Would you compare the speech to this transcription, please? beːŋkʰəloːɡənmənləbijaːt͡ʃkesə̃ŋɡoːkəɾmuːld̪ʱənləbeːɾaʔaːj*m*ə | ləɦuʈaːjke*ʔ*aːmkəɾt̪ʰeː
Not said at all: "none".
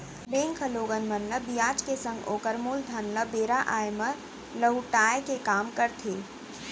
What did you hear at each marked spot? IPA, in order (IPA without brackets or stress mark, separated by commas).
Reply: m, k